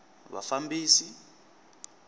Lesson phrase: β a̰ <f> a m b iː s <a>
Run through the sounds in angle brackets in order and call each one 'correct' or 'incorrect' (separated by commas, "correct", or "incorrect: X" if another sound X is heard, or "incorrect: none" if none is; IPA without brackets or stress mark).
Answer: correct, incorrect: i